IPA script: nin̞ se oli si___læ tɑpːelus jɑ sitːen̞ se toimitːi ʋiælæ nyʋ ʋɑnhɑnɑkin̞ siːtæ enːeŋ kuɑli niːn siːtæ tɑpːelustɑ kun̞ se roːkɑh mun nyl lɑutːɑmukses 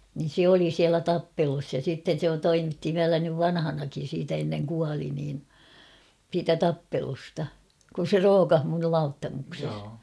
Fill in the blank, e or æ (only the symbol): æ